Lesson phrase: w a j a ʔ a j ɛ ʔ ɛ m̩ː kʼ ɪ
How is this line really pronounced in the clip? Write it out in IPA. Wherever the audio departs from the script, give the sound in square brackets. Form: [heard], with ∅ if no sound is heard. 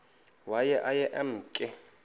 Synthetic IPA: w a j [ɛ] ʔ a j ɛ ʔ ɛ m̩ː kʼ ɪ